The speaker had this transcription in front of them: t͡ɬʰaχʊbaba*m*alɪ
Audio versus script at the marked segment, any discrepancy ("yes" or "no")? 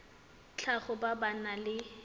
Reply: yes